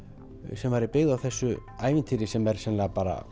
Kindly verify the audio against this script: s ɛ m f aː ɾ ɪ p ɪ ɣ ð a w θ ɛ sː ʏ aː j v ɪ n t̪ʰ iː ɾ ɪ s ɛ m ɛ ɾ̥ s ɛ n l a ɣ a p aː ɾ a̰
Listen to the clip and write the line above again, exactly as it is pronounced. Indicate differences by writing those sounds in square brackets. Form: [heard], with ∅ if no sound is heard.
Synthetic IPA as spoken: s ɛ m [v] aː ɾ ɪ p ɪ ɣ ð a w θ ɛ sː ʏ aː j v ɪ n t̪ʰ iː ɾ ɪ s ɛ m ɛ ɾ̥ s ɛ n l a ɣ a p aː ɾ a̰